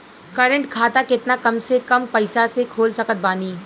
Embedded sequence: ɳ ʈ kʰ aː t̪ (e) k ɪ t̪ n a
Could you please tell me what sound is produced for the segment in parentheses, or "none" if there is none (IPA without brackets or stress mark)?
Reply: a